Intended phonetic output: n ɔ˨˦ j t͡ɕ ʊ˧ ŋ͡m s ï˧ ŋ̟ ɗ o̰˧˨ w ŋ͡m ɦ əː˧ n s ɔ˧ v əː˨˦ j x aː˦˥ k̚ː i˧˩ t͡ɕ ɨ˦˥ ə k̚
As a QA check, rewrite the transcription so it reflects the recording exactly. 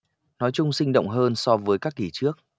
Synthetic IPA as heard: n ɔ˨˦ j t͡ɕ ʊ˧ ŋ͡m s ï˧ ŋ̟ ɗ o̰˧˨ w ŋ͡m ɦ əː˧ n s ɔ˧ v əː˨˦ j k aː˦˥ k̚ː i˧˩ t͡ɕ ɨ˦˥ ə k̚